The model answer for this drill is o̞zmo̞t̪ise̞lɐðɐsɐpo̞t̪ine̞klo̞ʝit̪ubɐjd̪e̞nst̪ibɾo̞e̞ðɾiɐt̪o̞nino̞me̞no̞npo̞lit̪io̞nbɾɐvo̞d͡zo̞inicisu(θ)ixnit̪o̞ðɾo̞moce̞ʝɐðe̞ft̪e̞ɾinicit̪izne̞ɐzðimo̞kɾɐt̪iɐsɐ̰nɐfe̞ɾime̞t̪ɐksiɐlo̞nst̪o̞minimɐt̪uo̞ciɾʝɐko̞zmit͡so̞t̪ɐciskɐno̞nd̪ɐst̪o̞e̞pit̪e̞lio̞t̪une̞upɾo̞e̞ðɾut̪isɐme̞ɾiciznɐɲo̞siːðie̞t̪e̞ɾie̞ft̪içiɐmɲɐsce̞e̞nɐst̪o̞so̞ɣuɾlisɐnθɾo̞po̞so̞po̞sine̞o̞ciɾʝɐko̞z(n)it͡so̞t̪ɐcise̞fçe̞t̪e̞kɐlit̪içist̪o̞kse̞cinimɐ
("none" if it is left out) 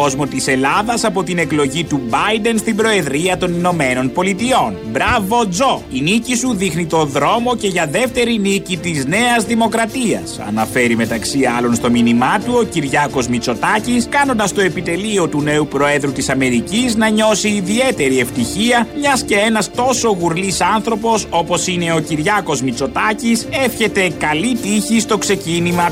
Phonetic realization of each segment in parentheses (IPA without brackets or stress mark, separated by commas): ð, m